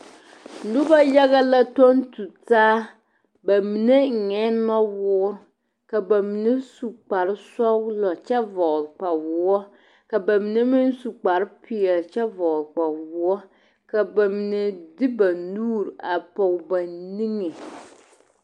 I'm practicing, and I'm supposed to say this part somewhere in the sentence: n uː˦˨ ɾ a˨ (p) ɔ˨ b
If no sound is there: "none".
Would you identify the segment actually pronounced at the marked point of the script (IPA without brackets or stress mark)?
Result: p